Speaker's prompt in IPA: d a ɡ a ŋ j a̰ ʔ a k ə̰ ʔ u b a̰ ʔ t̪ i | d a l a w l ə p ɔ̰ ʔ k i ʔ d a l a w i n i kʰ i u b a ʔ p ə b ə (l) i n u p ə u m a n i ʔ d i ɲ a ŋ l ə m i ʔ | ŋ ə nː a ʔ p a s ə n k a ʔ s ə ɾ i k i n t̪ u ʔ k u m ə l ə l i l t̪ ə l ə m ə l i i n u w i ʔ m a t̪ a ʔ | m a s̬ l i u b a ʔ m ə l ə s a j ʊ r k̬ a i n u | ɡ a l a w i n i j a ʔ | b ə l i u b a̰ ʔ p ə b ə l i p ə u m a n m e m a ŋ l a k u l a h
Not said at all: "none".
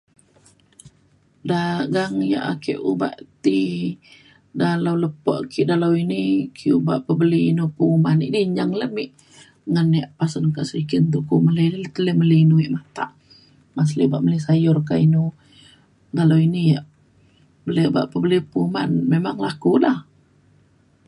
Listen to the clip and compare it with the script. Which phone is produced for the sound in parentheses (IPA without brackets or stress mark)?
l